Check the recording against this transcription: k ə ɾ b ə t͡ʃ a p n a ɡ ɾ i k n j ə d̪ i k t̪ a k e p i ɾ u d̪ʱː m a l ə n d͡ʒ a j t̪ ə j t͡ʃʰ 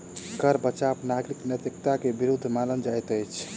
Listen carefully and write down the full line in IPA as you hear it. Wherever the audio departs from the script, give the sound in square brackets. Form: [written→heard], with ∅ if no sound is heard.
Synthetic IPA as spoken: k ə ɾ b ə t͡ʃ a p n a ɡ ɾ i k n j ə [d̪→t̪] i k t̪ a k e [p→b] i ɾ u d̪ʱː m a l ə n d͡ʒ a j t̪ ə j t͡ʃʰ